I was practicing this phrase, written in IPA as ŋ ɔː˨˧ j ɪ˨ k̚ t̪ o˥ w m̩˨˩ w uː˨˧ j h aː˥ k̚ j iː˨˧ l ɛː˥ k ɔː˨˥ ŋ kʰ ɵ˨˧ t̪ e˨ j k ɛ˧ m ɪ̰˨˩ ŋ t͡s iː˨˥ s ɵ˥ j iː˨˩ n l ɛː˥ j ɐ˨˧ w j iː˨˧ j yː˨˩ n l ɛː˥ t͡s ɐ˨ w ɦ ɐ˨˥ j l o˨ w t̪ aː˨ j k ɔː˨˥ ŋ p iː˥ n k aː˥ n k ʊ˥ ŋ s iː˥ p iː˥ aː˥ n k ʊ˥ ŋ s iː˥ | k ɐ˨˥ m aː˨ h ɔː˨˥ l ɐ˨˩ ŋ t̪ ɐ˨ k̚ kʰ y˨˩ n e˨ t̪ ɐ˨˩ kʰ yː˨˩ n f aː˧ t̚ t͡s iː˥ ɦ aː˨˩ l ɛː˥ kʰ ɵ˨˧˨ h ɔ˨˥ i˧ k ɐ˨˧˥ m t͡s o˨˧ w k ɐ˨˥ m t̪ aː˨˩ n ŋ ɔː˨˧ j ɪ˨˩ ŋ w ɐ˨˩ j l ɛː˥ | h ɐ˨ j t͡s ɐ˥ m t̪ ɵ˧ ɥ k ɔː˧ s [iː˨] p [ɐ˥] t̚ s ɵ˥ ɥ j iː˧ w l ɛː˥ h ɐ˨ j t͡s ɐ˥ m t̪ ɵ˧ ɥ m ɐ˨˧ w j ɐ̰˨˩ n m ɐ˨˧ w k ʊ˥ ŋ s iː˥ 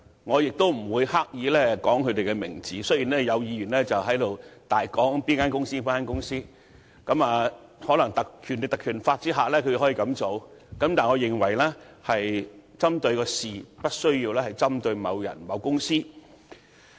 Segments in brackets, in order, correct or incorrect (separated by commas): correct, correct